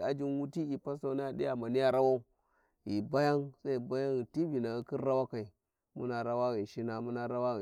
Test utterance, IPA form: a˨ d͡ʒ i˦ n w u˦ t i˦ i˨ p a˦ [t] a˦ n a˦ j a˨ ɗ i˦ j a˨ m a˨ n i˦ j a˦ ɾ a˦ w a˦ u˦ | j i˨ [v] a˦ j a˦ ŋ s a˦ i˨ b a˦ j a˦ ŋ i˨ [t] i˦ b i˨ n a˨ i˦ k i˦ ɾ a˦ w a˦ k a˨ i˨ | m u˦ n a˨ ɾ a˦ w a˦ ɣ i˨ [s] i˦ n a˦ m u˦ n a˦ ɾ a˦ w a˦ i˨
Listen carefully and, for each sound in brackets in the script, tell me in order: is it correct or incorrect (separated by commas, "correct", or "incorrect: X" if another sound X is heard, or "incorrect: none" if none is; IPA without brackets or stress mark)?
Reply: incorrect: s, incorrect: b, correct, incorrect: ʃ